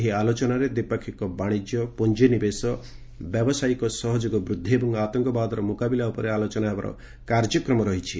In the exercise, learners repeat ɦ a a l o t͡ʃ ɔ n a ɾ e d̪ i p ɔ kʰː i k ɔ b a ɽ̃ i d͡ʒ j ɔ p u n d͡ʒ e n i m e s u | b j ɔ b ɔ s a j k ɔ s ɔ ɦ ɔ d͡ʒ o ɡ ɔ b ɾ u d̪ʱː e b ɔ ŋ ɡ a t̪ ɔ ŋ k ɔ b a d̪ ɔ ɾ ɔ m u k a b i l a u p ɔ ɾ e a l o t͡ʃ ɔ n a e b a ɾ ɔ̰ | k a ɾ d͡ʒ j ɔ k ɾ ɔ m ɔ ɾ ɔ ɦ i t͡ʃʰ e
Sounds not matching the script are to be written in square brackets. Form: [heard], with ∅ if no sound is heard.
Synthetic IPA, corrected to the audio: ɦ [i] a l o t͡ʃ ɔ n a ɾ e d̪ i p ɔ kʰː i k ɔ b a ɽ̃ i d͡ʒ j ɔ p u n d͡ʒ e n i [b] e s [ɔ] | b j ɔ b ɔ s a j k ɔ s ɔ ɦ ɔ d͡ʒ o ɡ ɔ b ɾ u d̪ʱː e b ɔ ŋ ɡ a t̪ ɔ ŋ k ɔ b a d̪ ɔ ɾ ɔ m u k a b i l a u p ɔ ɾ e a l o t͡ʃ ɔ n a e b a ɾ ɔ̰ | k a ɾ d͡ʒ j ɔ k ɾ ɔ m ɔ ɾ ɔ ɦ i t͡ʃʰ [i]

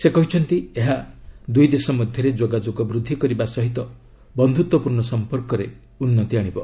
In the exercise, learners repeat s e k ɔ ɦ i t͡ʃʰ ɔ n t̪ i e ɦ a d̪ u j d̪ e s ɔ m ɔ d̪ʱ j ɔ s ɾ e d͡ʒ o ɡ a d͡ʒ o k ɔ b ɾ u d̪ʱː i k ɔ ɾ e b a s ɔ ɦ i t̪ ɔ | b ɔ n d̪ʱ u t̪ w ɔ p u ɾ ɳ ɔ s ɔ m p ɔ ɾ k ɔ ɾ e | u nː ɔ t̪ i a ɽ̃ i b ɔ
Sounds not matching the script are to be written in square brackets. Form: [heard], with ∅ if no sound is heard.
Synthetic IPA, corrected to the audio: s e k ɔ ɦ i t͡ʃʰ ɔ n t̪ i e ɦ a d̪ u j d̪ e s ɔ m ɔ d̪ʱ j ɔ [∅] ɾ e d͡ʒ o ɡ a d͡ʒ o [ɡ] ɔ b ɾ u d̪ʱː i k ɔ ɾ [i] b a s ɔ ɦ i t̪ ɔ | b ɔ n d̪ʱ u t̪ w ɔ p u ɾ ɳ ɔ s ɔ m p ɔ ɾ k ɔ ɾ e | u nː ɔ t̪ i a ɽ̃ i b ɔ

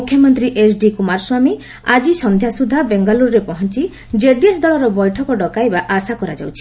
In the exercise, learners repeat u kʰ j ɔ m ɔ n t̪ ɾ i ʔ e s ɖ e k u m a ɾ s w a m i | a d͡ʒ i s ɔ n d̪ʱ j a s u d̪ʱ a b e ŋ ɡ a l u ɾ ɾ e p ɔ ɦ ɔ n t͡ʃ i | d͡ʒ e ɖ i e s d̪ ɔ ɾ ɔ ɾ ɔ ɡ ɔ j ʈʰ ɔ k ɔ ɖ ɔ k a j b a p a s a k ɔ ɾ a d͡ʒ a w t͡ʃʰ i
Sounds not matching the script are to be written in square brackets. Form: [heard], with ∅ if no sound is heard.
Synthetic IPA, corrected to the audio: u kʰ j ɔ m ɔ n t̪ ɾ i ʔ e s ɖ [i] k u m a ɾ s w a m i | a d͡ʒ i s ɔ n d̪ʱ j a s u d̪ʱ a b e ŋ ɡ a l u ɾ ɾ e p ɔ ɦ ɔ n t͡ʃ i | d͡ʒ e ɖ i e s d̪ ɔ [ɭ] ɔ ɾ ɔ [b] ɔ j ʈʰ ɔ k ɔ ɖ ɔ k a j b a [ʔ] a s a k ɔ ɾ a d͡ʒ a w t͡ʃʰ i

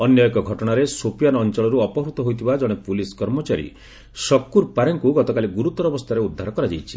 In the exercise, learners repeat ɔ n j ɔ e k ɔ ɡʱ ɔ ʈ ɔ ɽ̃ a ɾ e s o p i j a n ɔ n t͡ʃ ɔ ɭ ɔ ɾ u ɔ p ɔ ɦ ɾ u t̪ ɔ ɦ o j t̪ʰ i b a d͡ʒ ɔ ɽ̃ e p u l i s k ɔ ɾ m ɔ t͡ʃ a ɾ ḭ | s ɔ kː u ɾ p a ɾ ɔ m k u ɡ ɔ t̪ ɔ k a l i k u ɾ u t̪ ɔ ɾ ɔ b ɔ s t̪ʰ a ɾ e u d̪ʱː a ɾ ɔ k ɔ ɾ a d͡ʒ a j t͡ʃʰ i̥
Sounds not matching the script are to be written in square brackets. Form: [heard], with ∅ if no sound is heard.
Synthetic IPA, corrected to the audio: ɔ n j ɔ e k ɔ ɡʱ ɔ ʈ ɔ ɽ̃ a ɾ e s o p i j a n ɔ n t͡ʃ ɔ ɭ ɔ ɾ u ɔ p ɔ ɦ ɾ u t̪ ɔ ɦ o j t̪ʰ i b a d͡ʒ ɔ ɽ̃ e p u l i s k ɔ ɾ m ɔ t͡ʃ a ɾ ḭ | s ɔ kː u ɾ p a ɾ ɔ [ŋ] k u ɡ ɔ t̪ ɔ k a l i [ɡ] u ɾ u t̪ ɔ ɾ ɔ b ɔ s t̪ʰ a ɾ e u d̪ʱː a ɾ ɔ k ɔ ɾ a d͡ʒ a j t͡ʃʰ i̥

